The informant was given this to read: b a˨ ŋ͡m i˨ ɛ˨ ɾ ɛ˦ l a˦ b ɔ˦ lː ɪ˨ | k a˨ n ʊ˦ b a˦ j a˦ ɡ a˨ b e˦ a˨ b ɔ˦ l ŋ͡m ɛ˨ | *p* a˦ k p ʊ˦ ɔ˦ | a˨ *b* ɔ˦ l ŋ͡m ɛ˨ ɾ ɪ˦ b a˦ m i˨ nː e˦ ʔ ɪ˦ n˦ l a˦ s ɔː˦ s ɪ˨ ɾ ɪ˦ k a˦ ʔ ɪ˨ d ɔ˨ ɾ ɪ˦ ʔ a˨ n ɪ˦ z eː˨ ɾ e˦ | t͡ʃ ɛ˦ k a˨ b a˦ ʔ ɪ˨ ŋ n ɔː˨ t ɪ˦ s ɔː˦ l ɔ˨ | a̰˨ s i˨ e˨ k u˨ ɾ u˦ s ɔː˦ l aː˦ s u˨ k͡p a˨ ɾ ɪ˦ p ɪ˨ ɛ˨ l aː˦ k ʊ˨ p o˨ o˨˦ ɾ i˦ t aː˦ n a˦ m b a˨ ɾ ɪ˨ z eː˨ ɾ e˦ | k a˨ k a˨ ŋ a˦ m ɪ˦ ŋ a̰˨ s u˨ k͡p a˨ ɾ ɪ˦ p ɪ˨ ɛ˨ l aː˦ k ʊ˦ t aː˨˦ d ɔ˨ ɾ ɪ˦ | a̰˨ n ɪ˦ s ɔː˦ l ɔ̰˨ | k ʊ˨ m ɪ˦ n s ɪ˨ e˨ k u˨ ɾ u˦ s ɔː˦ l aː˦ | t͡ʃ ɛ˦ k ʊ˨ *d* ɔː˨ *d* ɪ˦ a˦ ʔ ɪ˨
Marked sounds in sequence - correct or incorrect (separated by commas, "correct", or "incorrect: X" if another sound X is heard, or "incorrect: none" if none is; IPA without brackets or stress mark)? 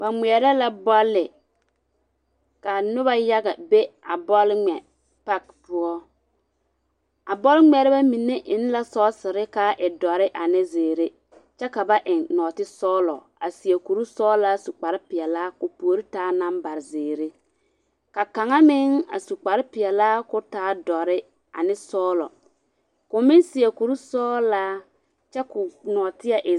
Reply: correct, correct, incorrect: n, incorrect: t